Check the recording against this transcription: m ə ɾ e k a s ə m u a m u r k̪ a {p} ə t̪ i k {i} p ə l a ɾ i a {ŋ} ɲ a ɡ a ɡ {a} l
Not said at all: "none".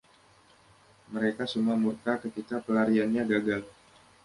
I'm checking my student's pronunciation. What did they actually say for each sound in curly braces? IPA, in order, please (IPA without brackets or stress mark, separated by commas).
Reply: k, a, n, a